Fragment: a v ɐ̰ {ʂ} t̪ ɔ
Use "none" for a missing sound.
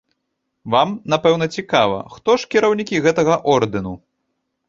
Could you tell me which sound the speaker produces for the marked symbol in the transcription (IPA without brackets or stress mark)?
x